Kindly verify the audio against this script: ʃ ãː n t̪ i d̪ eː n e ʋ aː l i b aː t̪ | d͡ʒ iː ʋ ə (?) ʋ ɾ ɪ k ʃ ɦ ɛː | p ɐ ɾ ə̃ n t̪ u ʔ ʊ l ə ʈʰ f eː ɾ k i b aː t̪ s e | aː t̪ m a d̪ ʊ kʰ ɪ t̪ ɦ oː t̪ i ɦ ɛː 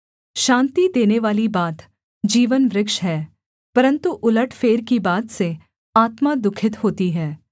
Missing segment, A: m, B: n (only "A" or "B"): B